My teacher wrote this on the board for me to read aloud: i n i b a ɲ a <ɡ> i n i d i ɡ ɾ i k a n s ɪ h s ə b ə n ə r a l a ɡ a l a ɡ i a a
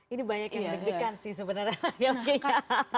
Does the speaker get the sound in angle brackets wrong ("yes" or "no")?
yes